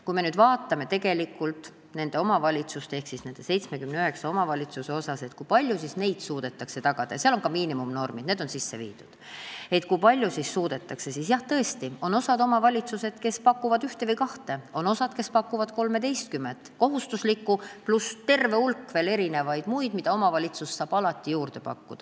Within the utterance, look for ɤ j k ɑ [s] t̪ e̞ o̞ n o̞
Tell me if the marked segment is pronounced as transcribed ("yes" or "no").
no